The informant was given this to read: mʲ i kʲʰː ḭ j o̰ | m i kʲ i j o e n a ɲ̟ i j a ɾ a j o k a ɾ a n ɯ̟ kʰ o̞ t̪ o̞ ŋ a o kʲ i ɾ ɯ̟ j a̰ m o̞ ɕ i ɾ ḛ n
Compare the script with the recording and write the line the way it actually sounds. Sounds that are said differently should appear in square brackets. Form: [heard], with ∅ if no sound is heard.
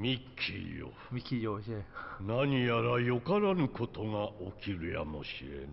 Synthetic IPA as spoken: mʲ i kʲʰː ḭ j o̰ | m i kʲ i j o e n a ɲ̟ i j a ɾ a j o k a ɾ a n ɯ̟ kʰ o̞ t̪ o̞ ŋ a o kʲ i ɾ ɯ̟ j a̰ m o̞ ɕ i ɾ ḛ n